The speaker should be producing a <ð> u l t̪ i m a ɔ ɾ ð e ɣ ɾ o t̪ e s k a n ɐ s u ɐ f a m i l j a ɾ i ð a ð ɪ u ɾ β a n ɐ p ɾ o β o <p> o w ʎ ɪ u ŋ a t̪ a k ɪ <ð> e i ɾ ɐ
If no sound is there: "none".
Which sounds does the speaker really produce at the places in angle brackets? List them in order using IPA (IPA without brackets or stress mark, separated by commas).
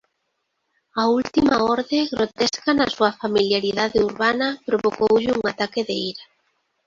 none, k, ð